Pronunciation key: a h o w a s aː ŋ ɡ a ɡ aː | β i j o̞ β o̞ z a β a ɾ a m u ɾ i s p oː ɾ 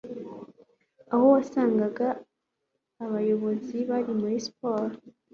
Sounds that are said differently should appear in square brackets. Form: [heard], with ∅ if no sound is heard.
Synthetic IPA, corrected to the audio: a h o w a s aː ŋ ɡ a ɡ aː | β [a] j o̞ β o̞ z [i] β a ɾ [i] m u ɾ i s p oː ɾ